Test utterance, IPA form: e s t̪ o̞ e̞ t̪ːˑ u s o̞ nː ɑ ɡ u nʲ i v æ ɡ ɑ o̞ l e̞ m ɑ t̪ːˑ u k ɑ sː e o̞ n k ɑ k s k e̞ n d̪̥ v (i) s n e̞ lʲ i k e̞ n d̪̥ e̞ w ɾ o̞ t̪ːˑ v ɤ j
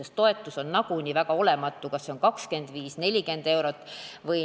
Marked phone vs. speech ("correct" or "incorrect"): incorrect